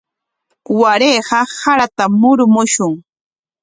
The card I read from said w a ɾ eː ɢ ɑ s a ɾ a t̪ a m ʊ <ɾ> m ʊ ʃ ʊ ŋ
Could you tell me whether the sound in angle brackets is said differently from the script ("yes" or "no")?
no